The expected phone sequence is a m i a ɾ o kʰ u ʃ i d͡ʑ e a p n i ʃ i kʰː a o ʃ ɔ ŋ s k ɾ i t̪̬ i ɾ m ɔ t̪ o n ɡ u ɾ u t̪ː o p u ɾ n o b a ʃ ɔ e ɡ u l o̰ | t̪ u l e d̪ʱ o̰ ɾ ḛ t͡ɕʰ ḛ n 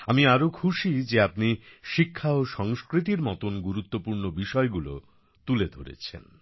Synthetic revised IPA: a m i a ɾ o kʰ u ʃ i d͡ʑ e a p n i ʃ i kʰː a o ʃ ɔ ŋ s k ɾ i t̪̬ i ɾ m ɔ t̪ o n ɡ u ɾ u t̪ː o p u ɾ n o b i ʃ ɔ e ɡ u l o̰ | t̪ u l e d̪ʱ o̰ ɾ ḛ t͡ɕʰ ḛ n